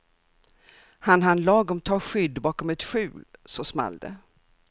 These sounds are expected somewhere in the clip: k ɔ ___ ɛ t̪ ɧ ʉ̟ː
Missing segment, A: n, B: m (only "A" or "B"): B